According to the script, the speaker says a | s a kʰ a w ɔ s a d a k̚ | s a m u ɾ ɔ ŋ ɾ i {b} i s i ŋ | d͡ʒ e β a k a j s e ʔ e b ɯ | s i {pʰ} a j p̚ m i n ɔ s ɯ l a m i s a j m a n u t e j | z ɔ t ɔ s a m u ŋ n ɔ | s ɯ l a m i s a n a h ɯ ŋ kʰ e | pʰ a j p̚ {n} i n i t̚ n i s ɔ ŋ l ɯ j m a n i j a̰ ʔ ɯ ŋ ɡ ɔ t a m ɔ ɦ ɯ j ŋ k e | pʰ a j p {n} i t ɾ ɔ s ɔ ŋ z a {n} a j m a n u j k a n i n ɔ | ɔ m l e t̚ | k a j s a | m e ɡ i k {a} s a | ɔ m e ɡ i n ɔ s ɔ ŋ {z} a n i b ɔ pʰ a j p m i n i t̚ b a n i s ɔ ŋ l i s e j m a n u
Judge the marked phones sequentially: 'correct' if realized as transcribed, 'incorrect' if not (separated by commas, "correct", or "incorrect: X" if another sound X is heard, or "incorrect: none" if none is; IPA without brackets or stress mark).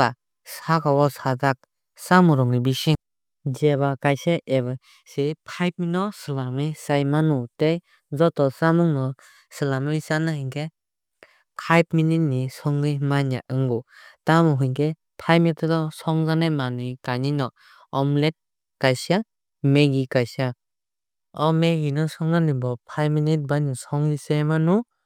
correct, correct, incorrect: m, incorrect: m, correct, correct, correct